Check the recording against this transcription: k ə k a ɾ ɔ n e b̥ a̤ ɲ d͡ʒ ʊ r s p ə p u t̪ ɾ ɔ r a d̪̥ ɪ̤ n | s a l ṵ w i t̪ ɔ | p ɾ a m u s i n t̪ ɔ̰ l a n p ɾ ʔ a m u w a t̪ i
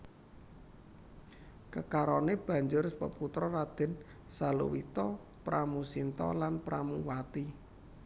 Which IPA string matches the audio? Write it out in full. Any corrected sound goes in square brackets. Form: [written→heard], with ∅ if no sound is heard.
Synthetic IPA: k ə k a ɾ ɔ n e b̥ a̤ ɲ d͡ʒ ʊ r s p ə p u t̪ ɾ ɔ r a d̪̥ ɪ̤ n | s a l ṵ w i t̪ ɔ | p ɾ a m u s i n t̪ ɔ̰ l a n p ɾ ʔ a m u w a t̪ i